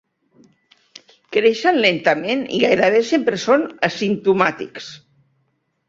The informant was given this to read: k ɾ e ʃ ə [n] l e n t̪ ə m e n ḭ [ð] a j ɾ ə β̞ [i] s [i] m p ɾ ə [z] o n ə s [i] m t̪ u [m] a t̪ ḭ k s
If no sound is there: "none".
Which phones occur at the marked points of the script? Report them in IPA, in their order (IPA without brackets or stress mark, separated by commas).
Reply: n, ɣ, e, e, s, i, m